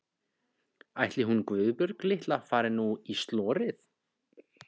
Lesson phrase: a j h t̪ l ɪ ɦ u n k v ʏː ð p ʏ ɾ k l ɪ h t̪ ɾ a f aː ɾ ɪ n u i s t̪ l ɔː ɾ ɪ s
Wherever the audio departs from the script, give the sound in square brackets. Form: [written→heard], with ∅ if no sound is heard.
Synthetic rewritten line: a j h t̪ l ɪ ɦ u n k v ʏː ð p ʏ ɾ k l ɪ h t̪ [ɾ→l] a f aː ɾ ɪ n u i s t̪ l ɔː ɾ ɪ [s→θ]